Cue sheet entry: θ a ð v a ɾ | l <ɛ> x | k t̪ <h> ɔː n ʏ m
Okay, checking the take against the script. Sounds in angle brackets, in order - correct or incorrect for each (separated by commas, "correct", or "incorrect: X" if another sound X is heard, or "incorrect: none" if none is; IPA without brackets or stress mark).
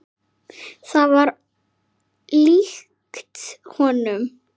incorrect: i, correct